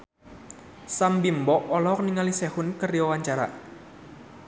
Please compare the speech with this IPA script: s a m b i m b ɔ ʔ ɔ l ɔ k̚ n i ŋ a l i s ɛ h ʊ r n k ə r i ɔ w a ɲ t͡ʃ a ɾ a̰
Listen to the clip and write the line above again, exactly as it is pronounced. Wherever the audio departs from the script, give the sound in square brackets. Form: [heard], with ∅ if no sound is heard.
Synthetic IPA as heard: s a m b i m b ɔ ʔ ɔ l ɔ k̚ n i ŋ a l i s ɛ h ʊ [∅] n k ə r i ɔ w a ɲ t͡ʃ a ɾ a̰